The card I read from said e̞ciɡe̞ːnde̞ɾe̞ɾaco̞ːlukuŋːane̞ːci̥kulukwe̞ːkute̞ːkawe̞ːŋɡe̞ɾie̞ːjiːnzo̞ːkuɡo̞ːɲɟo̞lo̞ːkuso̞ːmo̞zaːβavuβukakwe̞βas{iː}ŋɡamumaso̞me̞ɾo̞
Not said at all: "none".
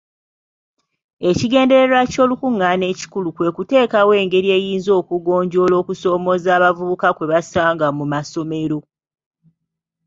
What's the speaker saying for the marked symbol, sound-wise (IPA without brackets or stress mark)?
aː